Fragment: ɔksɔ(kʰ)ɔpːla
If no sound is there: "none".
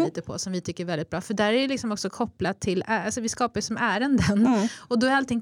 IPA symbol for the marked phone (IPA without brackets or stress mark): kʰ